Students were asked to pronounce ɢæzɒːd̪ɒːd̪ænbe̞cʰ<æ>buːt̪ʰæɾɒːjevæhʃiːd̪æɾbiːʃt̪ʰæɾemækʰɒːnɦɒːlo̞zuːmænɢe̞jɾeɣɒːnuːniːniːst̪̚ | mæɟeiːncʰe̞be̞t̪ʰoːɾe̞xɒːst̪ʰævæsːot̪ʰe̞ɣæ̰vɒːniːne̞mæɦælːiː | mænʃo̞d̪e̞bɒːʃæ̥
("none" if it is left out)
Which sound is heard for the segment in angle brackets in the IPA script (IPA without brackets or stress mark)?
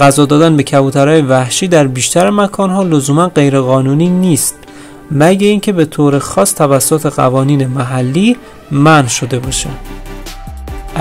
æ